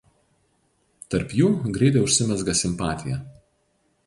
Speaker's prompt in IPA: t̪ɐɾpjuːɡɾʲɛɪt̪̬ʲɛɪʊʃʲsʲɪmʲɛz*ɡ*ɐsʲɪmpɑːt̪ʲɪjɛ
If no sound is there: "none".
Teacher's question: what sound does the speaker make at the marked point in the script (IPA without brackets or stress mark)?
ɡ